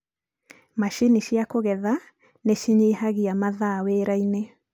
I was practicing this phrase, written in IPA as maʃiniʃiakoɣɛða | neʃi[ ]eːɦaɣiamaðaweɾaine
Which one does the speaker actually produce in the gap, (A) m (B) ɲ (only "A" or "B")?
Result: B